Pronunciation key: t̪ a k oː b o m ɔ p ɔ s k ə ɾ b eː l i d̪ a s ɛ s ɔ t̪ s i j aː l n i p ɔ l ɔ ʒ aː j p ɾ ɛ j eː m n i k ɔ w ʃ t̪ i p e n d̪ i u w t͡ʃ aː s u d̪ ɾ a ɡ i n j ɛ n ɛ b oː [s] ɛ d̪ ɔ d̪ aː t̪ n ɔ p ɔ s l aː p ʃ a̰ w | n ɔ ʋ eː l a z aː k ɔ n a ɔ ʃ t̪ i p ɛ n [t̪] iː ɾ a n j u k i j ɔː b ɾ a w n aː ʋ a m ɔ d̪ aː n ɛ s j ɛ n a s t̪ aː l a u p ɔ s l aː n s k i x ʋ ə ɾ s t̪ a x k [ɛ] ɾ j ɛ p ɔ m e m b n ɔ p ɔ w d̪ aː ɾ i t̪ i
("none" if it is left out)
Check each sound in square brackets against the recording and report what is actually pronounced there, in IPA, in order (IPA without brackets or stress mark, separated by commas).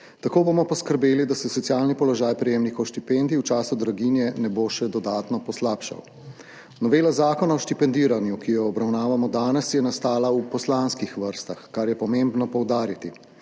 ʃ, d̪, a